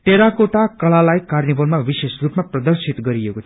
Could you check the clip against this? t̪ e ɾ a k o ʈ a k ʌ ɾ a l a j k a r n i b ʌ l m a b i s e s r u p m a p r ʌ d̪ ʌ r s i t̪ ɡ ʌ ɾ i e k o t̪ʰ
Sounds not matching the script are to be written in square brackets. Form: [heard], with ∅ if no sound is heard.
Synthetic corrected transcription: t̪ e ɾ a k o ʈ a k ʌ [l] a l a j k a r n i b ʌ l m a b i s e s r u p m a p r ʌ d̪ ʌ r s i t̪ ɡ ʌ ɾ i e k o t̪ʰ